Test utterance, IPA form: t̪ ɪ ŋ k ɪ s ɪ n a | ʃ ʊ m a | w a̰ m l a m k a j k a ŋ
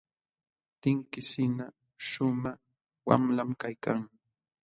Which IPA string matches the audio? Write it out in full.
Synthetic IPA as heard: t̪ ɪ ŋ k ɪ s ɪ n a | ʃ ʊ m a | w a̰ m l a m k a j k a ŋ